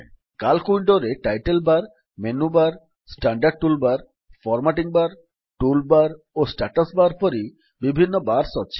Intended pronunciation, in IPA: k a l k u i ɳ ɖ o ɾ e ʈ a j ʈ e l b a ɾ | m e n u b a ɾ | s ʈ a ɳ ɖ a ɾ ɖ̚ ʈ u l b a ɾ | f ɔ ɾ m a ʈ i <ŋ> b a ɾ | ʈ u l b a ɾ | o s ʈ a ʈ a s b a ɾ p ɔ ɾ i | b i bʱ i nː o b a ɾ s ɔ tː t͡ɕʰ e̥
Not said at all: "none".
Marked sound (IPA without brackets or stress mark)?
ŋ